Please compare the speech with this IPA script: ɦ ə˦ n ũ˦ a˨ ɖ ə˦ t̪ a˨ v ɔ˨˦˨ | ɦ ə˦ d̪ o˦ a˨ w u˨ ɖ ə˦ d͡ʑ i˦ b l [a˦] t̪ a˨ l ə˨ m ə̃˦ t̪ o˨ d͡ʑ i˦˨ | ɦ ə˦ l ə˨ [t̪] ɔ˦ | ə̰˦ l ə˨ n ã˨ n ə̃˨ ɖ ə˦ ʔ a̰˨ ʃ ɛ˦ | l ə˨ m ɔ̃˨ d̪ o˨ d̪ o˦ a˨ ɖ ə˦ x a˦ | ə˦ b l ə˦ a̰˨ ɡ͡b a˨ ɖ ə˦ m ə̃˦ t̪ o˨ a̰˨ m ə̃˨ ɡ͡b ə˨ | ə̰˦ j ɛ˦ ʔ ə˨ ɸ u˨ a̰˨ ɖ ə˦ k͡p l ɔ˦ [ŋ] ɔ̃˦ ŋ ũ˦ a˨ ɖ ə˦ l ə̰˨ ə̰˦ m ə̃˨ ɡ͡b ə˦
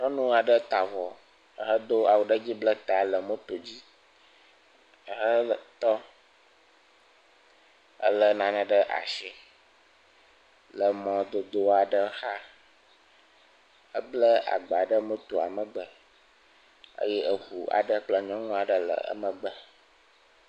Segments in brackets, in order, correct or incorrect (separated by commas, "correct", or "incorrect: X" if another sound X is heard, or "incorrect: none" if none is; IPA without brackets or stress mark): incorrect: ə˦, correct, incorrect: ɲ